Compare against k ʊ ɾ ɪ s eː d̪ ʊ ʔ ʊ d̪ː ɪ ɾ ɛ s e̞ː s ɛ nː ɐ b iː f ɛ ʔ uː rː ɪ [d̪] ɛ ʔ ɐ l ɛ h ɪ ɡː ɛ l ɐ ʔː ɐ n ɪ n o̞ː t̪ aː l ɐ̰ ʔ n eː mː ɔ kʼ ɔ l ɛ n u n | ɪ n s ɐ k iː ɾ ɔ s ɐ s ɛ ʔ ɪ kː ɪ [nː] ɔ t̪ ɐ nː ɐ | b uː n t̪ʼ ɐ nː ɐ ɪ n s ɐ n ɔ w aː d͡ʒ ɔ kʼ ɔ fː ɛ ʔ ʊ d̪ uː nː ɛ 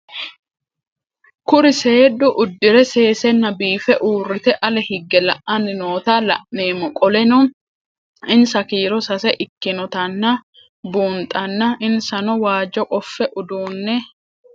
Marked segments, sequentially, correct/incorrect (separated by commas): incorrect, incorrect